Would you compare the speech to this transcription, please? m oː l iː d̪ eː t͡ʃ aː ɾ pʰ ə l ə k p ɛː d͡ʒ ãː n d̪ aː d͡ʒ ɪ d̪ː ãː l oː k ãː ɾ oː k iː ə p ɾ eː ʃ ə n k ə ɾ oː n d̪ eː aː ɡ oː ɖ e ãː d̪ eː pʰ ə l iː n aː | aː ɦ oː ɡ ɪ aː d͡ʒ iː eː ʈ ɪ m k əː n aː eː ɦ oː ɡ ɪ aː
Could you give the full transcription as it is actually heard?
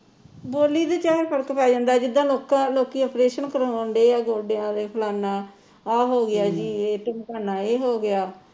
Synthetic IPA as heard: b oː l iː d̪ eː t͡ʃ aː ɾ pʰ ə ɾ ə k p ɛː d͡ʒ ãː n d̪ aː d͡ʒ ɪ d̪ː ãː l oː k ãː l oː k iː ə p ɾ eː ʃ ə n k ə ɾ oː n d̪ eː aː ɡ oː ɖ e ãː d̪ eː pʰ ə l aː n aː | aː ɦ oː ɡ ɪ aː d͡ʒ iː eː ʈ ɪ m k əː n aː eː ɦ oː ɡ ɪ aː